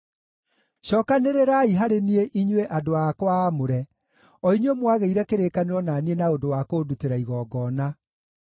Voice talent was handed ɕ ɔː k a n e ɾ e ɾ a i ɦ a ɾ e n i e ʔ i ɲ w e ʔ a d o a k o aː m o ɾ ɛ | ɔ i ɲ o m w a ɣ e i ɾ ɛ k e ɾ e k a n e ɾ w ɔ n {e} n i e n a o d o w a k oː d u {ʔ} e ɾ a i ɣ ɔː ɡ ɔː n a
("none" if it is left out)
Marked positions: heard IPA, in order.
a, t

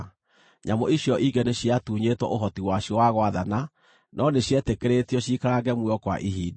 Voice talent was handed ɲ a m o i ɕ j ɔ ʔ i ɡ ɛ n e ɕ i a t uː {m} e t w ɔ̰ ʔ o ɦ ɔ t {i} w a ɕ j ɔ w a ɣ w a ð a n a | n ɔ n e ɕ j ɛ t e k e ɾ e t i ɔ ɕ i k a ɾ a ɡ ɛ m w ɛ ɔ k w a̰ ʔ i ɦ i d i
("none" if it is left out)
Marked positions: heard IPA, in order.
ɲ, i

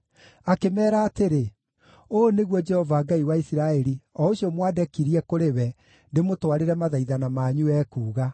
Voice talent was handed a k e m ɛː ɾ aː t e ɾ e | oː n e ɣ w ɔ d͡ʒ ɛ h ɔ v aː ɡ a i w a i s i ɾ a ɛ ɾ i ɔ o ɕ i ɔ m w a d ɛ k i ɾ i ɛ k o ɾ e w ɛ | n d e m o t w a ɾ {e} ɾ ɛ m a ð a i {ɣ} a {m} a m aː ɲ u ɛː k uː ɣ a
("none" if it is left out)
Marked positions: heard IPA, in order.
e, ð, n

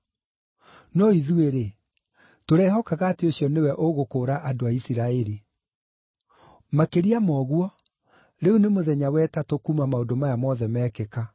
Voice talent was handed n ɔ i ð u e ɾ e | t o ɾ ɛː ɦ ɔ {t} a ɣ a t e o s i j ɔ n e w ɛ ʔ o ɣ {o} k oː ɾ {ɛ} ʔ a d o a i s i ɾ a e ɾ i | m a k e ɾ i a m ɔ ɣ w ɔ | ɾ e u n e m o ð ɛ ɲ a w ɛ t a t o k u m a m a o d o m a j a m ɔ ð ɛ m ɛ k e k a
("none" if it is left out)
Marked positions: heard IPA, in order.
k, o, a

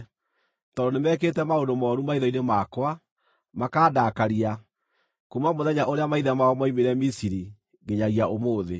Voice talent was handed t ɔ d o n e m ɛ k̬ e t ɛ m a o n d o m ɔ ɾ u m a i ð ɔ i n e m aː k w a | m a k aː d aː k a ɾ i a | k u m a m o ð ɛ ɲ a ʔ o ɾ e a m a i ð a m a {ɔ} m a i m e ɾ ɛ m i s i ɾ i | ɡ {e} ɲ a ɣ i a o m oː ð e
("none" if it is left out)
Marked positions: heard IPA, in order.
ɔ, e

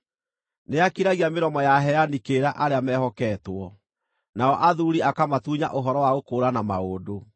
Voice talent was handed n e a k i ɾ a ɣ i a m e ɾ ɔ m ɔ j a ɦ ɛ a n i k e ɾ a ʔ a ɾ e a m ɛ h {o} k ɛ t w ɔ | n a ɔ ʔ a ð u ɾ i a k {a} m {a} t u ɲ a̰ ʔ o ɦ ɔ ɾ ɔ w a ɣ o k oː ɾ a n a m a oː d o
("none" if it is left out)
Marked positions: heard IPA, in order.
ɔ, a, a

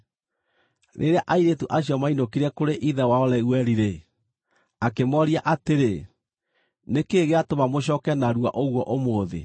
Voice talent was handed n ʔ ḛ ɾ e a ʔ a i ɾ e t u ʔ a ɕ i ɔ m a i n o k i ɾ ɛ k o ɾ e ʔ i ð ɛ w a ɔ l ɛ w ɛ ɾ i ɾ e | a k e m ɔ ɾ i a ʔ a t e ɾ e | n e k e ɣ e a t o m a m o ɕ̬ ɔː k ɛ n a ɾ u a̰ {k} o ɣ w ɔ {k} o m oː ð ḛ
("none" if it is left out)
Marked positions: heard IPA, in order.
ʔ, ʔ

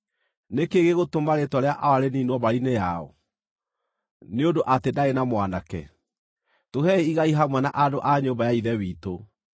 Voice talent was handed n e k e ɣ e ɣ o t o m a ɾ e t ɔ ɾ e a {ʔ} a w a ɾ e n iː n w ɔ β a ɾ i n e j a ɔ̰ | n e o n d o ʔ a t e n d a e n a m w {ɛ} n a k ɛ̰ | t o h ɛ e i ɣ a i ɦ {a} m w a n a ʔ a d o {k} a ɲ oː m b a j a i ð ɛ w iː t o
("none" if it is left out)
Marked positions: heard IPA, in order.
ʔ, a, a, ʔ

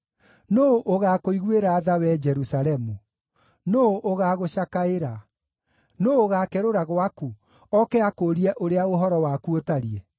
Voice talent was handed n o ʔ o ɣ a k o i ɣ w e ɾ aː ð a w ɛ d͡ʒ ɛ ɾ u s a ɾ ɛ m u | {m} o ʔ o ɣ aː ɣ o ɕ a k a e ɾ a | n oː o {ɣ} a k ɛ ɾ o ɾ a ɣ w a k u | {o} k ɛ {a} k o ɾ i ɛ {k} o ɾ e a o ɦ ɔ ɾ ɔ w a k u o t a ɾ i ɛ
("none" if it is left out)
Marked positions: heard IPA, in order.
n, ɣ, ɔ, a, ʔ

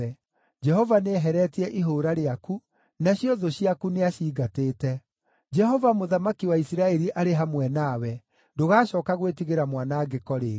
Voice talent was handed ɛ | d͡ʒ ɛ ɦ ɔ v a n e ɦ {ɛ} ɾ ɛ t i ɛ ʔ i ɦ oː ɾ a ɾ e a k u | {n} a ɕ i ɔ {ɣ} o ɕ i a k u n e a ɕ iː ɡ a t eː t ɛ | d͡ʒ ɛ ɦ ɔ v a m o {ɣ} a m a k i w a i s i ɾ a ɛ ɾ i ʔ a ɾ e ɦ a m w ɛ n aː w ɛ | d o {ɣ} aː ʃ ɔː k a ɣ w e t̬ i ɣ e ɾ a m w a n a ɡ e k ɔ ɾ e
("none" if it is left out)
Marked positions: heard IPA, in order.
ɛ, n, ð, ð, ɣ

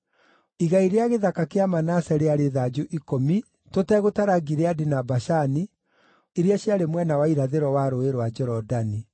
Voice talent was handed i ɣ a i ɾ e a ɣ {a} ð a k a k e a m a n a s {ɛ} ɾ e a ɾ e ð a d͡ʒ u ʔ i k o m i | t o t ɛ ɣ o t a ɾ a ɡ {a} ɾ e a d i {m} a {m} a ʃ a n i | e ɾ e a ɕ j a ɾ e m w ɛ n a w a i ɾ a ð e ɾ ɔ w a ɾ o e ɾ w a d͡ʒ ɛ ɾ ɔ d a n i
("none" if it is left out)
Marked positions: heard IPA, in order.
e, ɛ, i, n, b

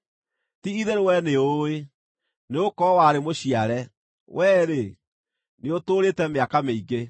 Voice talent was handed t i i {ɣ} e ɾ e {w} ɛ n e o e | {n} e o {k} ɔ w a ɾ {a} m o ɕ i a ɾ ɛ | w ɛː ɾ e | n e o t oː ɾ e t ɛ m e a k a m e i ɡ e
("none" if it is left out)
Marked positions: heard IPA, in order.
ð, w, n, k, e

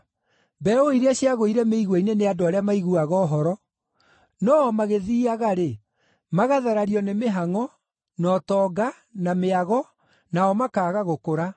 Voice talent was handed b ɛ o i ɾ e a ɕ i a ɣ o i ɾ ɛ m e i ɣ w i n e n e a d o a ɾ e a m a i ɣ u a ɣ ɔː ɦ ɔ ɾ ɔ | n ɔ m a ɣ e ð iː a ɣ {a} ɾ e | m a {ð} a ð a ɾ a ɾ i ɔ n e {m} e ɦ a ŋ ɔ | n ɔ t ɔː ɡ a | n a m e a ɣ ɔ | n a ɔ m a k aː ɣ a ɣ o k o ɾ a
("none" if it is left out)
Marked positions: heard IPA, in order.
a, ɣ, m

